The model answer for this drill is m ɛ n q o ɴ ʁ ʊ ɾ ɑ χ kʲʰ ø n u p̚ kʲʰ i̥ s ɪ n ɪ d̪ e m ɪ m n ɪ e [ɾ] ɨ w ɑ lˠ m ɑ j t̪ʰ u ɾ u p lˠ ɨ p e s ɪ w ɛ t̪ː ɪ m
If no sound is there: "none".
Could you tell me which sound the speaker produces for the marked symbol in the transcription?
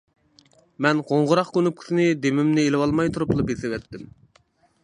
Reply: l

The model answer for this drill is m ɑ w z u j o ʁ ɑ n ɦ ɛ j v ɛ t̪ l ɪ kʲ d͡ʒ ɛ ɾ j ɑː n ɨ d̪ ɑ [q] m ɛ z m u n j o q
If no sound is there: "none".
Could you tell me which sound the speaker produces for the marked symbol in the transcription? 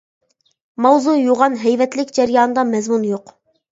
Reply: none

